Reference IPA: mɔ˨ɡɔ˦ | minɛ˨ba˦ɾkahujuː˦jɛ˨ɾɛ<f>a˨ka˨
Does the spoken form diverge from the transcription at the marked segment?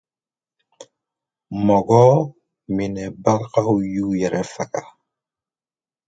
no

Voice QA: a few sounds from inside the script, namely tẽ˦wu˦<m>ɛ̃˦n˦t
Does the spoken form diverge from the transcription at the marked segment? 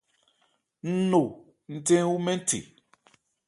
no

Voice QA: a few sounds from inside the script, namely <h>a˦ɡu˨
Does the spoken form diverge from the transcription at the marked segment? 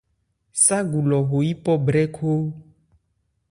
yes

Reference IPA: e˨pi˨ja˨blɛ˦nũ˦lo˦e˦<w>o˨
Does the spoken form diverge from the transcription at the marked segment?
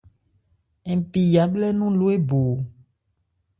yes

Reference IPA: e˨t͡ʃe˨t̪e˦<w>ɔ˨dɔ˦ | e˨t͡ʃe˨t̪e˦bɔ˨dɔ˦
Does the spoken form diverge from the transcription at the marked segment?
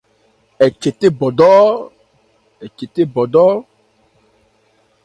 yes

